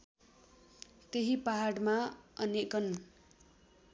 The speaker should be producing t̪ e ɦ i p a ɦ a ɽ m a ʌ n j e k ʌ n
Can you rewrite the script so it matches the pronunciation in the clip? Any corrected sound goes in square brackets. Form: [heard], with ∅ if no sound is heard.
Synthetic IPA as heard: t̪ e ɦ i p a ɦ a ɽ m a ʌ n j e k ʌ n